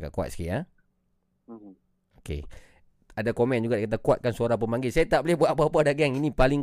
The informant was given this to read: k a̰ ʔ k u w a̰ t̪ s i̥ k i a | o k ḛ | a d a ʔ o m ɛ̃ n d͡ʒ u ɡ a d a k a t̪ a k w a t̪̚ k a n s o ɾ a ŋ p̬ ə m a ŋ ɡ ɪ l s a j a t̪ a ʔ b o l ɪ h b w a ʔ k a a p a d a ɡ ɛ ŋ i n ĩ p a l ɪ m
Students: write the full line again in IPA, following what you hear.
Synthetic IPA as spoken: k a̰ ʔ k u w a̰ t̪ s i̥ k i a | o k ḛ | a d a k o m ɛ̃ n d͡ʒ u ɡ a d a k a t̪ a k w a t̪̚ k a n s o ɾ a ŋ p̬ ə m a ŋ ɡ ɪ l s a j a t̪ a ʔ b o l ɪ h b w a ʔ p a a p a d a ɡ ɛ ŋ i n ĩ p a l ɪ ŋ